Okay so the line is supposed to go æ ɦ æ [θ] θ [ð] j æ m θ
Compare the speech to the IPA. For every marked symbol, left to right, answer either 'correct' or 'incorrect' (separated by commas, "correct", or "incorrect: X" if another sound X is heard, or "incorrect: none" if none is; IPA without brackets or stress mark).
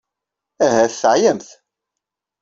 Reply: correct, incorrect: ʕ